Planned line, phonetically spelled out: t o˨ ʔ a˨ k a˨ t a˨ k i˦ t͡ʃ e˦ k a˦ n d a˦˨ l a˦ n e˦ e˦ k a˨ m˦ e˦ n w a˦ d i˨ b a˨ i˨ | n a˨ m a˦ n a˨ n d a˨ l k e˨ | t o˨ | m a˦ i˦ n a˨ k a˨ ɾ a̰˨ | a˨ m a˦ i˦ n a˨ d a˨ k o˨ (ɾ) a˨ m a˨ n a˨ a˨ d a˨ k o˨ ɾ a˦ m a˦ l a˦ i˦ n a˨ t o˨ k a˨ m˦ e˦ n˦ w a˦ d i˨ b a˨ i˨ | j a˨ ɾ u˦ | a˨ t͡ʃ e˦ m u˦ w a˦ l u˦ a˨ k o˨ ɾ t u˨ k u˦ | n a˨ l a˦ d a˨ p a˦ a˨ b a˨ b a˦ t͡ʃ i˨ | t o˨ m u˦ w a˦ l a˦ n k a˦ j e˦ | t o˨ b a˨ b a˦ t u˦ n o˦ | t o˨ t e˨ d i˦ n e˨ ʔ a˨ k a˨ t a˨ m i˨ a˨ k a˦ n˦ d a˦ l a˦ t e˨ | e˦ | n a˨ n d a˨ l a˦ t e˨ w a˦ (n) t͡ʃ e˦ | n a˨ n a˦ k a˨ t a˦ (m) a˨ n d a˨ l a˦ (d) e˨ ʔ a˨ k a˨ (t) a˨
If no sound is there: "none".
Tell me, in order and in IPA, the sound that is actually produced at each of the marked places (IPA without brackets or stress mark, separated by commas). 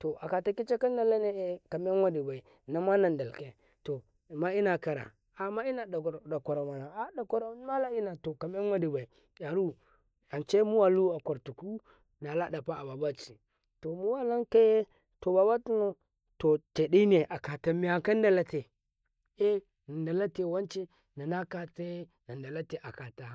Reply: ɾ, n, n, t, t